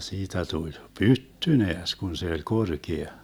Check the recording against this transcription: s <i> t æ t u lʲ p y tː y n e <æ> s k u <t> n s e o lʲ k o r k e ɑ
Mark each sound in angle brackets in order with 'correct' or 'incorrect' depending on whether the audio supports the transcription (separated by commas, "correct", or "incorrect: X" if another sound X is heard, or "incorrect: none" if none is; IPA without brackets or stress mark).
incorrect: iː, correct, incorrect: none